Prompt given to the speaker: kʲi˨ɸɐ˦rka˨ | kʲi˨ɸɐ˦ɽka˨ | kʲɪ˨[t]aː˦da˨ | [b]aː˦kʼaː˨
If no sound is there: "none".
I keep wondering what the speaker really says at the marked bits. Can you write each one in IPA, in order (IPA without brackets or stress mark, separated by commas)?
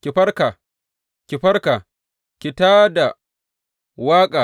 t, w